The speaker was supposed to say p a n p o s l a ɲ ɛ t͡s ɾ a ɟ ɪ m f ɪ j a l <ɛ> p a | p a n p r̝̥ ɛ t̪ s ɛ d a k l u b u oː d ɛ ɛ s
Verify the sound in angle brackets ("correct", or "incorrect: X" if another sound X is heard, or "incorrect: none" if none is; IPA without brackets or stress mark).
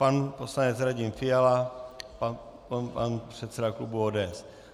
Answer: incorrect: a